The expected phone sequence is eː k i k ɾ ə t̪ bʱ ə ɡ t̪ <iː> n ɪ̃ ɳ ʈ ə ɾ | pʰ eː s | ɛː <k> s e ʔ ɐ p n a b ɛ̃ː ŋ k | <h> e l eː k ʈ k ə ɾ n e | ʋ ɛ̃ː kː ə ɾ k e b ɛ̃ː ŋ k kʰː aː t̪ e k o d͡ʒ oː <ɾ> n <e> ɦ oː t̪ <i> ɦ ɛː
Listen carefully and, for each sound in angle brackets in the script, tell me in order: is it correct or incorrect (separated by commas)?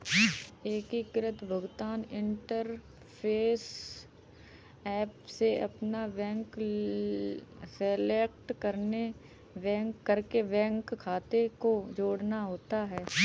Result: incorrect, incorrect, incorrect, incorrect, incorrect, incorrect